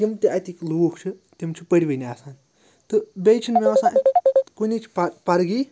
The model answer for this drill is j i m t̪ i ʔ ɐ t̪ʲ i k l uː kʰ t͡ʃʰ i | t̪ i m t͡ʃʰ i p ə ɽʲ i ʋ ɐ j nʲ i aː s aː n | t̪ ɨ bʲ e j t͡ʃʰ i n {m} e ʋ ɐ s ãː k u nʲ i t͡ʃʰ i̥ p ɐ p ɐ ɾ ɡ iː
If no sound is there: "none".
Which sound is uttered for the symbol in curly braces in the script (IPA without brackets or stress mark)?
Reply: m